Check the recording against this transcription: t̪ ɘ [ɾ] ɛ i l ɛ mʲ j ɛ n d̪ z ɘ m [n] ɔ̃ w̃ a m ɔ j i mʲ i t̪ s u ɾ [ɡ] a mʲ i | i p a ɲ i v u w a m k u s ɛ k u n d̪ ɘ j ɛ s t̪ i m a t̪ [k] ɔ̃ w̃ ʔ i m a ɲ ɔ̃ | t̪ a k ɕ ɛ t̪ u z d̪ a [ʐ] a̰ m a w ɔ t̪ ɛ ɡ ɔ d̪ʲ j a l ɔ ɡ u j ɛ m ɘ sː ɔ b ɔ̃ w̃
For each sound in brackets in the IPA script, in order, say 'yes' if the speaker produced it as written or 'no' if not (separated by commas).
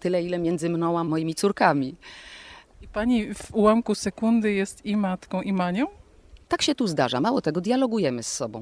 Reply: no, yes, no, yes, yes